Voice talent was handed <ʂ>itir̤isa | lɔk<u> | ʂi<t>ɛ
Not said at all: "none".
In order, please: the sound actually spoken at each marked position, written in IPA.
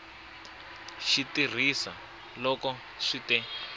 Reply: ʃ, ɔ, t

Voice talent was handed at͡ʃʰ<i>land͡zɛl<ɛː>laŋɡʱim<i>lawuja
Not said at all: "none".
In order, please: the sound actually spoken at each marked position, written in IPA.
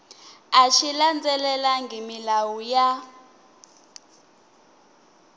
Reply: i, ɛ, i

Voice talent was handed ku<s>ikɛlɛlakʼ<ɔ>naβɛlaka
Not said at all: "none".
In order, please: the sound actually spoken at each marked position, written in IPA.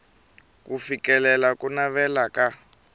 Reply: f, u

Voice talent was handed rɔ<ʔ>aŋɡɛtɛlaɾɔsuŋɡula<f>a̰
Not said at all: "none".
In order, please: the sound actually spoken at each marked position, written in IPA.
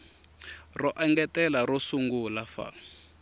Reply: ʔ, f

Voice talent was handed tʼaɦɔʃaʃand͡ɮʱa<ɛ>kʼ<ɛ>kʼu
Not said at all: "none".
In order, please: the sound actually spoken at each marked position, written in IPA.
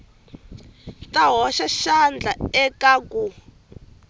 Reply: ɛ, a

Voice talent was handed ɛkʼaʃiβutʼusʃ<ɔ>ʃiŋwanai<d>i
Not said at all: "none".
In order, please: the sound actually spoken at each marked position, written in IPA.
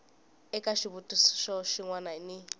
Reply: ɔ, n

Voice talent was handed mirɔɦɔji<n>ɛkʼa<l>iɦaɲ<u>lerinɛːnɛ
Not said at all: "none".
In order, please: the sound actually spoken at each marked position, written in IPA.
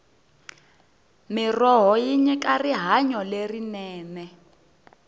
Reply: ɲ, r, ɔ

